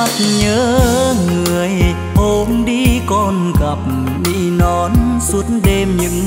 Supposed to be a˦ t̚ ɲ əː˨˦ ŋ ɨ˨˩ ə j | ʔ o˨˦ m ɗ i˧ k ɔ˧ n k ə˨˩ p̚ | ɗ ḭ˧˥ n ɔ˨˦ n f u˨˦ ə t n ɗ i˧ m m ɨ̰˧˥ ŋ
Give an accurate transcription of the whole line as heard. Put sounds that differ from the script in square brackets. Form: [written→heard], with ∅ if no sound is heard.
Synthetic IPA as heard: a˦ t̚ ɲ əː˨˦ ŋ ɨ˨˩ ə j | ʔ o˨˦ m ɗ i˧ k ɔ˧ n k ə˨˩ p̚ | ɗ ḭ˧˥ n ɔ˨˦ n [f→s] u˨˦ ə t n ɗ [i˧→e˧] m [m→ɲ] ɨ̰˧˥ ŋ